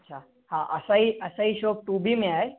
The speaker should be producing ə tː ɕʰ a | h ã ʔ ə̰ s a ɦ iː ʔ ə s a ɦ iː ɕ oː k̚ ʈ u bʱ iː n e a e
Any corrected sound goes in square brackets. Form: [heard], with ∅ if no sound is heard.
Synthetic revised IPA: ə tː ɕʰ a | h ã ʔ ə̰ s a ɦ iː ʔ ə s a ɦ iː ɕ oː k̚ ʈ u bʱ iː [m] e a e